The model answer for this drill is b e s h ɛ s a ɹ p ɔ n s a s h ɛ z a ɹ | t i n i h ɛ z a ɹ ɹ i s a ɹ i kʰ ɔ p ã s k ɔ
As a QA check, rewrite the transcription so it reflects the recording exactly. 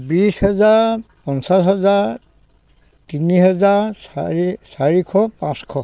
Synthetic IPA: b i s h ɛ z a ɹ p ɔ n s a s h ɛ z a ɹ | t i n i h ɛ z a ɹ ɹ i s a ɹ i kʰ ɔ p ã s kʰ ɔ